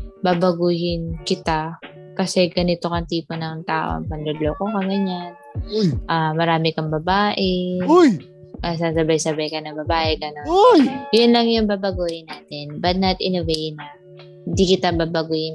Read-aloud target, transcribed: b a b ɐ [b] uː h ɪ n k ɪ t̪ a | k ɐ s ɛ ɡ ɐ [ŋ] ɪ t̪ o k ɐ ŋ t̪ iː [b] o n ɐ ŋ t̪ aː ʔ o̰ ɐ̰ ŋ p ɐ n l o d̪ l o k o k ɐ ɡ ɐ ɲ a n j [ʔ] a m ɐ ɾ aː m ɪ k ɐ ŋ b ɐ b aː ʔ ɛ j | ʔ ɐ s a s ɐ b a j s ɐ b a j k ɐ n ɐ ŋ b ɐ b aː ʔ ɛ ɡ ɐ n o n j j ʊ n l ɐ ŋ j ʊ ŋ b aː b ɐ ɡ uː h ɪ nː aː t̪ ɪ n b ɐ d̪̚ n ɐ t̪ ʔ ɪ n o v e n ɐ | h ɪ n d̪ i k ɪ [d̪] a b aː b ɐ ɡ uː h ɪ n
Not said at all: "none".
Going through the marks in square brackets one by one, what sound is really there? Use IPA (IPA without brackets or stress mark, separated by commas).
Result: ɡ, n, p, ʔ, t̪